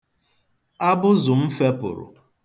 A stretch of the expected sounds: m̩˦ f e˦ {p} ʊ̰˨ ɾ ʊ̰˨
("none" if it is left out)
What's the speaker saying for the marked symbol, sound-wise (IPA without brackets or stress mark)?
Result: p